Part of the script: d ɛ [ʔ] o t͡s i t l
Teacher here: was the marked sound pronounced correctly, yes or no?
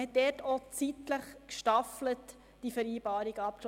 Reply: no